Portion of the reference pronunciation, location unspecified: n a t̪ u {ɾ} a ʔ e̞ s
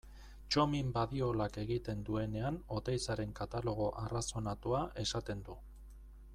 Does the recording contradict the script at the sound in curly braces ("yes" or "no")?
yes